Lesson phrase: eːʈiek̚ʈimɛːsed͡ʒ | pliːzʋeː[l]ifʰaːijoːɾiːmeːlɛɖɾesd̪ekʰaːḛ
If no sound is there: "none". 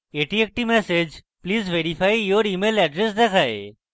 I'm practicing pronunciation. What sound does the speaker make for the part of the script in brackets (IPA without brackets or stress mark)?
ɾ